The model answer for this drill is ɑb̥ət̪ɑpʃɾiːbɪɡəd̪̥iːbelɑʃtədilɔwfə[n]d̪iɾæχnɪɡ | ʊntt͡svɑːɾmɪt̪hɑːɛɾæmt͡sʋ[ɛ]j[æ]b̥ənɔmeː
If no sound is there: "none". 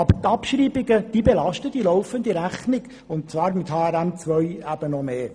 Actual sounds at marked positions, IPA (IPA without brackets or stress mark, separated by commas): n, œ, æ